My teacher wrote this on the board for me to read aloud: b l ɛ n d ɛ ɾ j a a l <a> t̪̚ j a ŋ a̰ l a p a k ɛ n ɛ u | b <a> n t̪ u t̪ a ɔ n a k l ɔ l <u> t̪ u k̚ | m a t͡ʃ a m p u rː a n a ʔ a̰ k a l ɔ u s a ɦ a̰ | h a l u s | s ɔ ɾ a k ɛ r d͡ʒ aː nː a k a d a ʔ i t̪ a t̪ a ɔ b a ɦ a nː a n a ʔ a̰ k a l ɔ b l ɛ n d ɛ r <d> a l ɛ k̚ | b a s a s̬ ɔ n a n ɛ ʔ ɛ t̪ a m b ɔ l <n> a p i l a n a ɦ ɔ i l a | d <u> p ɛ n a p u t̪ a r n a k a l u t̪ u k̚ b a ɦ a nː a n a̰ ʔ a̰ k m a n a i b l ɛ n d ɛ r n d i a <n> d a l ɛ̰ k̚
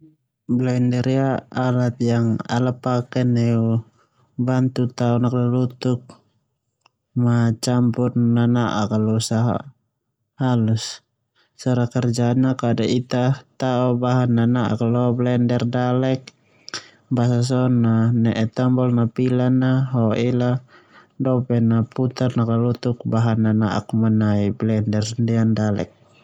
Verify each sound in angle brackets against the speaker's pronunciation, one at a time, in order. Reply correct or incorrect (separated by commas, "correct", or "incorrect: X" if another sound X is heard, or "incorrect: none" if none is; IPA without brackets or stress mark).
correct, correct, correct, correct, correct, incorrect: ɔ, correct